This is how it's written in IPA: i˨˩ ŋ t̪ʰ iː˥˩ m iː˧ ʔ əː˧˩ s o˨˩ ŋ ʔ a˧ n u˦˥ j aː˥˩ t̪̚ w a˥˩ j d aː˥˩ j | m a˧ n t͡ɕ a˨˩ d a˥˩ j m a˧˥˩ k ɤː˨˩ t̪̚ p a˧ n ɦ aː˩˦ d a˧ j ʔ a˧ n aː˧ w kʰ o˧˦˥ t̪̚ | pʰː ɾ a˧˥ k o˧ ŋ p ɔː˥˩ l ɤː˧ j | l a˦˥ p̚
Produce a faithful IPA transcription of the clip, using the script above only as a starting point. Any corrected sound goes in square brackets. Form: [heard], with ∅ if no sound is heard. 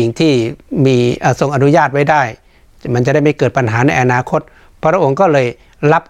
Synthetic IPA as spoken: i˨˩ ŋ t̪ʰ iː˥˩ m iː˧ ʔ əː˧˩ s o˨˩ ŋ ʔ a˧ n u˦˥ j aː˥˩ t̪̚ w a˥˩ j d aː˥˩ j | m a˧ n t͡ɕ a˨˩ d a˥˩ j m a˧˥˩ k ɤː˨˩ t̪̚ p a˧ n ɦ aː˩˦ [n] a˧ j ʔ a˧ n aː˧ [∅] kʰ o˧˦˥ t̪̚ | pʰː ɾ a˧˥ [ʔ] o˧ ŋ [k] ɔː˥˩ l ɤː˧ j | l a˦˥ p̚